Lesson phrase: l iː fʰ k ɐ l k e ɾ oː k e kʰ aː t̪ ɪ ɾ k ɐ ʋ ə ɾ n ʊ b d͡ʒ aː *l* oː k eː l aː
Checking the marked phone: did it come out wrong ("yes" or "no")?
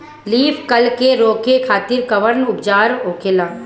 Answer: yes